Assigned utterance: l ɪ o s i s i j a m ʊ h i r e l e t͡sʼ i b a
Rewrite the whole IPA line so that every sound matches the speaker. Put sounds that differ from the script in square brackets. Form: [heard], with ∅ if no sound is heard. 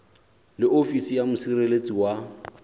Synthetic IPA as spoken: l ɪ o [f] i s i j a m ʊ [s] i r e l e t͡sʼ i [w] a